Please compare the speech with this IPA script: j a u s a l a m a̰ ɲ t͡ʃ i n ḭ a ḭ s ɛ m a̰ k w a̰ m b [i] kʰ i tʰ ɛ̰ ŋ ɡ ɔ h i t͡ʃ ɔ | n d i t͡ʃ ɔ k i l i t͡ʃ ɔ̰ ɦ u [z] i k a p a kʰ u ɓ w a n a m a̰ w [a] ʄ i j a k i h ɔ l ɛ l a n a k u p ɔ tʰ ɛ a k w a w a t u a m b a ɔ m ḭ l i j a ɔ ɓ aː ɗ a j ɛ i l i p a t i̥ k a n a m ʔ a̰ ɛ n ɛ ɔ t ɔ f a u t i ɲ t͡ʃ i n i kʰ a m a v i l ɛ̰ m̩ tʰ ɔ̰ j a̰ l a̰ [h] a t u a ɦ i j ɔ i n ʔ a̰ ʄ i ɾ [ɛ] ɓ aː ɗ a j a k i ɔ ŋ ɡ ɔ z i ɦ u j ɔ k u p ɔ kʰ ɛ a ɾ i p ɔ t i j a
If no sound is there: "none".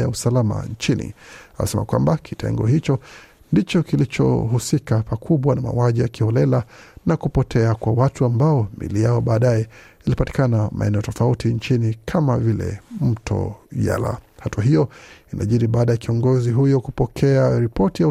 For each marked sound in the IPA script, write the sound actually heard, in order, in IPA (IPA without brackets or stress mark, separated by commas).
a, s, a, h, i